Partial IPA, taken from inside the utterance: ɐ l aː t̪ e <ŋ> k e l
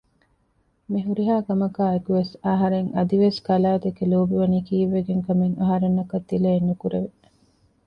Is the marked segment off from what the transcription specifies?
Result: yes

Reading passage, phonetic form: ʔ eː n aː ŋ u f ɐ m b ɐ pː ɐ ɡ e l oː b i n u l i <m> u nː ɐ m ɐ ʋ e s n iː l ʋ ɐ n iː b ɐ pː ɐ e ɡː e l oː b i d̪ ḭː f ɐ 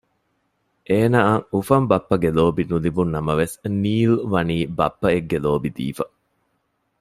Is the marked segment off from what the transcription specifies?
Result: yes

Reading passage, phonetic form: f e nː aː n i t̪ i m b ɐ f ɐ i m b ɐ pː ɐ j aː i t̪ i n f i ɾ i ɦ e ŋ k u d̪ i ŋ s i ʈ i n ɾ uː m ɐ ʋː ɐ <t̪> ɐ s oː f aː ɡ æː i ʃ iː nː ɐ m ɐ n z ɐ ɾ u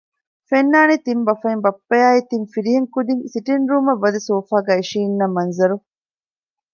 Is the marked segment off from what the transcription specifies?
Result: yes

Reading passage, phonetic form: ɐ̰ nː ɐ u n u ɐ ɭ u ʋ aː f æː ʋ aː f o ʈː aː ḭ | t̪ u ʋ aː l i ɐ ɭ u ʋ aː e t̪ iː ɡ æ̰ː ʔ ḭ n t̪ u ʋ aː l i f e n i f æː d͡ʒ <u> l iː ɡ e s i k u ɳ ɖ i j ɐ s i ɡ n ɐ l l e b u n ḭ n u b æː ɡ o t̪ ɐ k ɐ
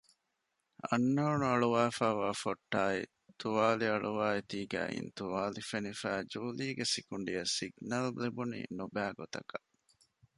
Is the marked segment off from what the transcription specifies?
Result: yes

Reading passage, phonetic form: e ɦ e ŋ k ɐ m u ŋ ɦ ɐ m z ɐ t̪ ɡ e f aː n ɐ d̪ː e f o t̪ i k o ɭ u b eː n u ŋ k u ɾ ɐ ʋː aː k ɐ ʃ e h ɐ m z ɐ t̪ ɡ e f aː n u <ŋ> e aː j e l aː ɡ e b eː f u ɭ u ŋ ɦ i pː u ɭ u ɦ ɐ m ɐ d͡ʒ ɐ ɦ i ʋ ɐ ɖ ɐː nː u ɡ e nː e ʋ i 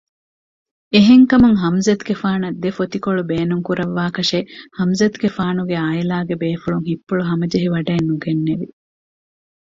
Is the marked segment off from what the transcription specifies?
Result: yes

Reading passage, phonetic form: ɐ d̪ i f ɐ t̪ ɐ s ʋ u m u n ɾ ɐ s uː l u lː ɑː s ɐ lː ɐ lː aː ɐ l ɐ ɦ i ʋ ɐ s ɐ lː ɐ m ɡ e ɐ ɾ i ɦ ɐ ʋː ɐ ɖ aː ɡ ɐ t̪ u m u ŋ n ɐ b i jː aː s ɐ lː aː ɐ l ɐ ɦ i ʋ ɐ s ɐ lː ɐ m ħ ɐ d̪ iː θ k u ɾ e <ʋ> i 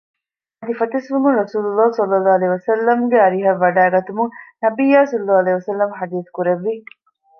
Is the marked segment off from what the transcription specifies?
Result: yes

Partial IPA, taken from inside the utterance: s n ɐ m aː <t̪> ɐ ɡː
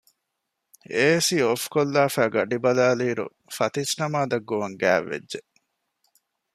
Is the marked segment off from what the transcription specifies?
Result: yes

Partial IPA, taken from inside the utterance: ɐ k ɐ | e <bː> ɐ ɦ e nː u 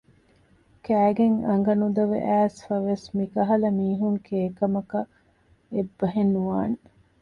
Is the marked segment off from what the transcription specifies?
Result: no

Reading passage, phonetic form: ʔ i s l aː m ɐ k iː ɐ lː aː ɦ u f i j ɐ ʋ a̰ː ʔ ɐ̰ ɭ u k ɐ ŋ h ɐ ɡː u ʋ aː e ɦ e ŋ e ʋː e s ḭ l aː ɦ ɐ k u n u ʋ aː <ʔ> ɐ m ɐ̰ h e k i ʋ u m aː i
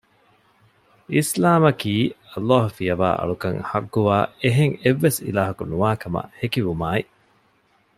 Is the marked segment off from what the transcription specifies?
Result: yes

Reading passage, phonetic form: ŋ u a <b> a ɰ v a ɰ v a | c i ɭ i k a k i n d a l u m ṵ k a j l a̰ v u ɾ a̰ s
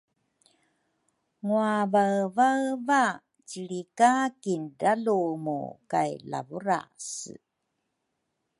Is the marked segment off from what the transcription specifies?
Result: yes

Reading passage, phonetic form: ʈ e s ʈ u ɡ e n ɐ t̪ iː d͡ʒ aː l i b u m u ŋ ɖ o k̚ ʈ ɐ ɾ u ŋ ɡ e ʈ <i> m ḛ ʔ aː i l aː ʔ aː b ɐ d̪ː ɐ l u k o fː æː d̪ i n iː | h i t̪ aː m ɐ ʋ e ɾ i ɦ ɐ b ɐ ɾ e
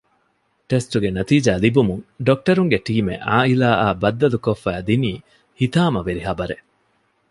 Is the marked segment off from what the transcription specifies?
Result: yes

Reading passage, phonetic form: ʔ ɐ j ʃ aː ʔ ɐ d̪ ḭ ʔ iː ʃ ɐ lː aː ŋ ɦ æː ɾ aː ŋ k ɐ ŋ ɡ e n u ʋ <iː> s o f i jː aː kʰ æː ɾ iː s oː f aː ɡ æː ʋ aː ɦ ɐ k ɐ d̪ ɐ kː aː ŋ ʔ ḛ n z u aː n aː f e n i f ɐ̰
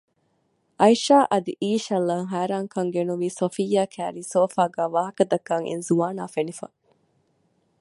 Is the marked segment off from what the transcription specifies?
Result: no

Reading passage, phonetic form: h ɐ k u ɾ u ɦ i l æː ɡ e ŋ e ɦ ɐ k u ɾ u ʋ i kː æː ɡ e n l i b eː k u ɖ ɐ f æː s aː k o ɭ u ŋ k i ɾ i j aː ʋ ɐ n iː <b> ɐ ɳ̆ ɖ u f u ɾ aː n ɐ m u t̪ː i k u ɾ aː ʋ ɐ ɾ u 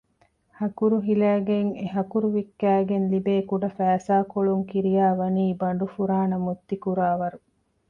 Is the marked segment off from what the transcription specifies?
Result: no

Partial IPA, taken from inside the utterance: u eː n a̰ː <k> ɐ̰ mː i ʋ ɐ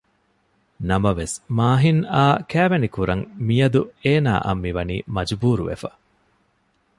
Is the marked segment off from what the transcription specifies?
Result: yes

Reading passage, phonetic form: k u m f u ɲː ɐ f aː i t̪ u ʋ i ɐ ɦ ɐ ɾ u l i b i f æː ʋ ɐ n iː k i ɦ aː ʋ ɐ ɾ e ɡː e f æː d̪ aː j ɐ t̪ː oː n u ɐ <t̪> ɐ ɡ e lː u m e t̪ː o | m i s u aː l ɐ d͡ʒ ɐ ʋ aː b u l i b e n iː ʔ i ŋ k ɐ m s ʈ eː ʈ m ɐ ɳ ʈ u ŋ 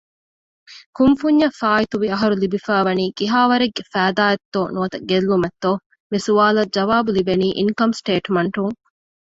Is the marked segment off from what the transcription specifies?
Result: no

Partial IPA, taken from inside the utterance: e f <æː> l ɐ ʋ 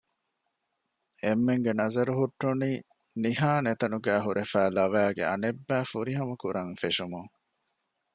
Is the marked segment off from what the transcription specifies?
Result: no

